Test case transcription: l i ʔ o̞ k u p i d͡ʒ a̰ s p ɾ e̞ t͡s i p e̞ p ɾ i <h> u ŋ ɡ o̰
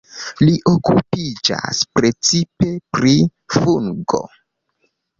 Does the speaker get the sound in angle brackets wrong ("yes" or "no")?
yes